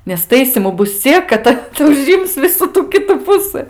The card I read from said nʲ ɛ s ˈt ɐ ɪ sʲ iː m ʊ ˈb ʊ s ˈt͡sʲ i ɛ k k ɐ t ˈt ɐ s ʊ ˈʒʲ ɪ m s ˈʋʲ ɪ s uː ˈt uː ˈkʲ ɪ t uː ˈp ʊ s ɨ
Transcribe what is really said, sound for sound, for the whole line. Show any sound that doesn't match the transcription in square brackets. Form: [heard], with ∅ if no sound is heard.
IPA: nʲ ɛ s ˈt ɐ ɪ sʲ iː m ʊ ˈb ʊ s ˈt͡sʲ i ɛ k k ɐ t ˈt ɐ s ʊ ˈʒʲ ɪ m s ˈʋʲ ɪ s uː ˈt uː ˈkʲ ɪ t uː ˈp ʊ s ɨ